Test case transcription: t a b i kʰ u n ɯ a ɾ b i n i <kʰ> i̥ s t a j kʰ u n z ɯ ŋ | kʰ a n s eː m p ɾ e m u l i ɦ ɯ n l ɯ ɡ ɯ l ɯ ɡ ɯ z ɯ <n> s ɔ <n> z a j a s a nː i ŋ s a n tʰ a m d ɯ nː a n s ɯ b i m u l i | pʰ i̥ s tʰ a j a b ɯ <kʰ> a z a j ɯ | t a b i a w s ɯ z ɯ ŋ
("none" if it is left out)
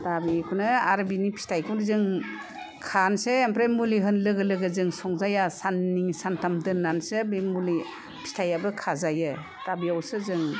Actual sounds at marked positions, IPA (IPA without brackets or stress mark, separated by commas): pʰ, ŋ, ŋ, kʰ